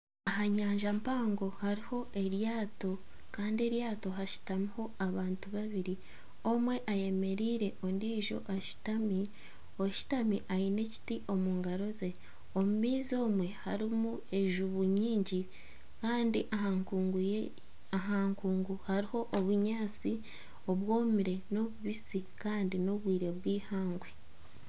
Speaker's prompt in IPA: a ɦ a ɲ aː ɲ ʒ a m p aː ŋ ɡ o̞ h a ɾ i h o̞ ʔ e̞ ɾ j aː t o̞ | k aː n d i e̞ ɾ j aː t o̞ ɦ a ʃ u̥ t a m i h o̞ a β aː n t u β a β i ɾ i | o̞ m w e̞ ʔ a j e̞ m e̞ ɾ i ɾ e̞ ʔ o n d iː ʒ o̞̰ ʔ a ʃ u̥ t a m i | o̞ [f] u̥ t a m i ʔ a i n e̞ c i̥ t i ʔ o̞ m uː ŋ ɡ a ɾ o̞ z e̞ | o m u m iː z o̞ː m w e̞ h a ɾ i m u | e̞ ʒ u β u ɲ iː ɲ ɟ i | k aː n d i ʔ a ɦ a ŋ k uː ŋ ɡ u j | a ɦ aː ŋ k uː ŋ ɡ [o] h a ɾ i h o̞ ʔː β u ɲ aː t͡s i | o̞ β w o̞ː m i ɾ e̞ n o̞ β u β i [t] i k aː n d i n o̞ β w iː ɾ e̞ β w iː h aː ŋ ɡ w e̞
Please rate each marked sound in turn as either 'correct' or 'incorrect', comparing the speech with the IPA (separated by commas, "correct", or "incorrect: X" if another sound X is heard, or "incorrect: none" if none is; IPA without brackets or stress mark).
incorrect: ʃ, incorrect: u, incorrect: s